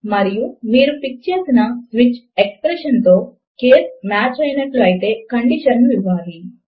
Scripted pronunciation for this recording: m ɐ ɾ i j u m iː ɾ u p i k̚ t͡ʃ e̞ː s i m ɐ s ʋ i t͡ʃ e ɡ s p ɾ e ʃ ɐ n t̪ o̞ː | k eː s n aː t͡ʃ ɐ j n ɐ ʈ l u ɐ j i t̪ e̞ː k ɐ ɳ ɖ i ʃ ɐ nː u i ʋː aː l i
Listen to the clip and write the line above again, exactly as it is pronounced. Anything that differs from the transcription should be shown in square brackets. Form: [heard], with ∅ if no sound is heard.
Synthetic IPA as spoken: m ɐ ɾ i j u m iː ɾ u p i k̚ t͡ʃ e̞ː s i [n] ɐ s ʋ i t͡ʃ e [k] s p ɾ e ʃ ɐ n t̪ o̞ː | k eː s [m] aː t͡ʃ ɐ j n ɐ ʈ l u ɐ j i t̪ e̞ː k ɐ ɳ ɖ i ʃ ɐ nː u i ʋː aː l i

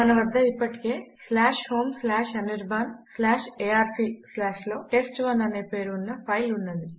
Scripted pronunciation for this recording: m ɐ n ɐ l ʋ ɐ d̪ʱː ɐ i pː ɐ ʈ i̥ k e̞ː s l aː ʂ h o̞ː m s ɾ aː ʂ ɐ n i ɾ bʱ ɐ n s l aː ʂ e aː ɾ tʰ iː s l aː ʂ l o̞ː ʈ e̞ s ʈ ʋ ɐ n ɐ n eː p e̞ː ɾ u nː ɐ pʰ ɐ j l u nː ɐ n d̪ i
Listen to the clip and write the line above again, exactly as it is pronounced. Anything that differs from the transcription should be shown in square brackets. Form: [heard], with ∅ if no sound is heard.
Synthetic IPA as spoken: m ɐ n ɐ [∅] ʋ ɐ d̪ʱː ɐ i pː ɐ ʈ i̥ k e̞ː s l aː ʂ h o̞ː m s [l] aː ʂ ɐ n i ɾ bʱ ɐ n s l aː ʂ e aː ɾ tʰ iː s l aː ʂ l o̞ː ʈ e̞ s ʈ ʋ ɐ n ɐ n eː p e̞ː ɾ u nː ɐ pʰ ɐ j l u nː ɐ n d̪ i

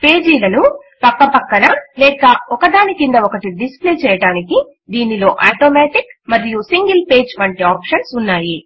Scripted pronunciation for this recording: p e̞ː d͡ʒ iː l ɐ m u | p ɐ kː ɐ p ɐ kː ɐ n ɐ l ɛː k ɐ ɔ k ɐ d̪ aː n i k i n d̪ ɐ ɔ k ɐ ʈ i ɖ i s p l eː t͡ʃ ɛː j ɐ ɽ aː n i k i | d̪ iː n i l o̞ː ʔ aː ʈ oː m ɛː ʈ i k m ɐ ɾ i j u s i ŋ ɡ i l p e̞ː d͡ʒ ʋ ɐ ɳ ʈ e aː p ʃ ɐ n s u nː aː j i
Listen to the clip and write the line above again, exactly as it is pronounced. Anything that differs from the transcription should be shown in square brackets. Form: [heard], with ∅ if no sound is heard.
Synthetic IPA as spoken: p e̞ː d͡ʒ iː l ɐ [n] u | p ɐ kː ɐ p ɐ kː ɐ n ɐ l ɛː k ɐ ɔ k ɐ d̪ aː n i k i n d̪ ɐ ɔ k ɐ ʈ i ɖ i s p l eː t͡ʃ ɛː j ɐ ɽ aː n i k i | d̪ iː n i l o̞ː ʔ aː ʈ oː m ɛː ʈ i k m ɐ ɾ i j u s i ŋ ɡ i l p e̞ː d͡ʒ ʋ ɐ ɳ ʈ [i] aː p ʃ ɐ n s u nː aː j i

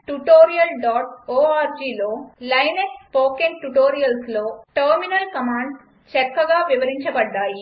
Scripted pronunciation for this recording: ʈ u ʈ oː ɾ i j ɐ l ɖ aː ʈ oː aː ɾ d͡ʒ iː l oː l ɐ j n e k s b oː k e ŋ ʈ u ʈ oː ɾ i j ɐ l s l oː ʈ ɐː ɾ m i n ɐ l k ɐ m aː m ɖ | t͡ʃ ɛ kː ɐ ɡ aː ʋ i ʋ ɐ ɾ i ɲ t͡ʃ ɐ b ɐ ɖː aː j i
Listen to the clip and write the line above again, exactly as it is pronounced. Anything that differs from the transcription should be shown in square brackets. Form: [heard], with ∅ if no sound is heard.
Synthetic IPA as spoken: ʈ u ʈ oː ɾ i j ɐ l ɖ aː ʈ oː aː ɾ d͡ʒ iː l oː l ɐ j n e k s [p] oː k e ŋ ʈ u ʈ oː ɾ i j ɐ l s l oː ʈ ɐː ɾ m i n ɐ l k ɐ m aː [ɳ] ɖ | t͡ʃ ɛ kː ɐ ɡ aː ʋ i ʋ ɐ ɾ i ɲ t͡ʃ ɐ b ɐ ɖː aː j i

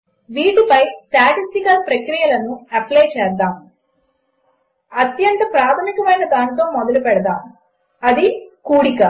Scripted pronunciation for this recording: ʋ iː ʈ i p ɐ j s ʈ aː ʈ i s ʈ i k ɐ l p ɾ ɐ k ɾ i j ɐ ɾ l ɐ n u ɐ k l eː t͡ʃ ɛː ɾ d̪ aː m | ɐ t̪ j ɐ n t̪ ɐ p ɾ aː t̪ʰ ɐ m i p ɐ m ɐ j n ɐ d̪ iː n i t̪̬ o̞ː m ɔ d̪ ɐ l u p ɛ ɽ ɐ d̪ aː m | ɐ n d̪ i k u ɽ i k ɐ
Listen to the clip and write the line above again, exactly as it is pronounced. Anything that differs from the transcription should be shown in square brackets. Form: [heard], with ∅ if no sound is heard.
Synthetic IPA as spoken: ʋ iː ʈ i p ɐ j s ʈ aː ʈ i s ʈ i k ɐ l p ɾ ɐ k ɾ i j ɐ [∅] l ɐ n u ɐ [p] l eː t͡ʃ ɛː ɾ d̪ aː m | ɐ t̪ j ɐ n t̪ ɐ p ɾ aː t̪ʰ ɐ m i [k] ɐ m ɐ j n ɐ d̪ [aː] n i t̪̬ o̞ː m ɔ d̪ ɐ l u p ɛ ɽ ɐ d̪ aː m | ɐ [∅] d̪ i k [uː] ɽ i k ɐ

